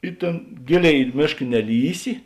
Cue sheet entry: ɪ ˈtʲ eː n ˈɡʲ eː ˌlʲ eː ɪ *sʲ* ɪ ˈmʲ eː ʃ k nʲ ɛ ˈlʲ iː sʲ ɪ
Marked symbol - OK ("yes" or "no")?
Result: no